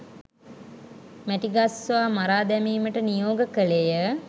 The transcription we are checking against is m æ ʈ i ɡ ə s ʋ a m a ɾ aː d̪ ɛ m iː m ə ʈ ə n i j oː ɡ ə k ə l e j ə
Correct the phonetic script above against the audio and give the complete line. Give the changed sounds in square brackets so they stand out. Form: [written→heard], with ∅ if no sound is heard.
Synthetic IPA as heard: m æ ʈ i ɡ [ə→a] s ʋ a m a ɾ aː d̪ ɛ m iː m ə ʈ ə n i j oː ɡ ə k ə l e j ə